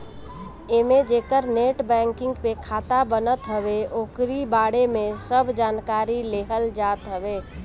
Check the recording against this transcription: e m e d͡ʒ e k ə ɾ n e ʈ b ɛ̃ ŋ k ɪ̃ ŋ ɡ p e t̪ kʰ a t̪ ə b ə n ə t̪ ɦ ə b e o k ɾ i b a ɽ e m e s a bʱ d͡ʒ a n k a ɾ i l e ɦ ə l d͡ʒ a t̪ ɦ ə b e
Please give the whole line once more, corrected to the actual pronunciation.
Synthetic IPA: e m e d͡ʒ e k ə ɾ n e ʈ b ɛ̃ ŋ k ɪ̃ ŋ ɡ p e kʰ a t̪ a b ə n ə t̪ ɦ ə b e o k ɾ i b a ɽ e m e s ə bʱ d͡ʒ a n k a ɾ i l e ɦ ə l d͡ʒ a t̪ ɦ ə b e